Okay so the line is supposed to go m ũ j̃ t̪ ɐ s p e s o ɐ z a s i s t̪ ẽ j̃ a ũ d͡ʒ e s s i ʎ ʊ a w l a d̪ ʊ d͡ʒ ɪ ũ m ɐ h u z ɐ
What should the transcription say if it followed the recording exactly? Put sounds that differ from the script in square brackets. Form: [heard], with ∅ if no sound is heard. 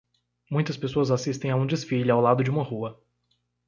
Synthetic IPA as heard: m ũ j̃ t̪ ɐ s p e s o ɐ z a s i s t̪ ẽ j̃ a ũ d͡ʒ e s [f] i ʎ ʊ a w l a d̪ ʊ d͡ʒ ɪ ũ m ɐ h u [∅] ɐ